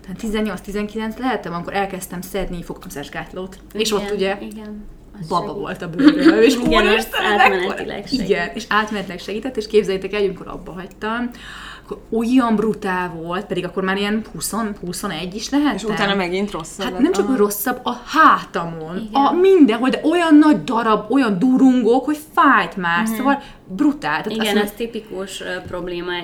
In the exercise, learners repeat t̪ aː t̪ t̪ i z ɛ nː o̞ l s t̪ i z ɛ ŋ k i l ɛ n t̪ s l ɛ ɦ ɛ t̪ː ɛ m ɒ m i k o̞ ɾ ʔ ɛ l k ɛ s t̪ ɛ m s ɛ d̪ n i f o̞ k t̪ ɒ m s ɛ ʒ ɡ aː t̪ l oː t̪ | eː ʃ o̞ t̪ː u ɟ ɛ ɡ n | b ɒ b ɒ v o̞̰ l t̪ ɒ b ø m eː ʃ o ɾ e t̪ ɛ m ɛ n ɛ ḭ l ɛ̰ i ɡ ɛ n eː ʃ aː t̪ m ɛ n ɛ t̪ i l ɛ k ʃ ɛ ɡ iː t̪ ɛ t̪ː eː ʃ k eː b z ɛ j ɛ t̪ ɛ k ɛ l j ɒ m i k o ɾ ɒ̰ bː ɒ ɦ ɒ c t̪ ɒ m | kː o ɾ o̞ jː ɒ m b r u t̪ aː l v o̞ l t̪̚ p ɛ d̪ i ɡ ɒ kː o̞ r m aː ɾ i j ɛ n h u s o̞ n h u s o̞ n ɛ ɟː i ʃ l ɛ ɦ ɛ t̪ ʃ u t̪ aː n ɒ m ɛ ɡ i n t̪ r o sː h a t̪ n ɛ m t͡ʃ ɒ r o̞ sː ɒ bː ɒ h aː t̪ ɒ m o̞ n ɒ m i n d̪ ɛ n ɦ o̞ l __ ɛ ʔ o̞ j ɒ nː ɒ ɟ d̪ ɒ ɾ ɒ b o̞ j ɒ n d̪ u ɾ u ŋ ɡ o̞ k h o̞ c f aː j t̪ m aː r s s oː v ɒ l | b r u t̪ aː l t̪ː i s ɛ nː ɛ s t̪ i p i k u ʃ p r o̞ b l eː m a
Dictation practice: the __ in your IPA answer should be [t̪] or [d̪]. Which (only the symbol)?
d̪